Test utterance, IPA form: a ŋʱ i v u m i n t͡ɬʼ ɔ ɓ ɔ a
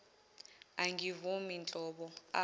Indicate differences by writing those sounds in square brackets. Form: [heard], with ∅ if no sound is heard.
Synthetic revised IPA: a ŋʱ i v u m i n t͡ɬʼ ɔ ɓ ɔ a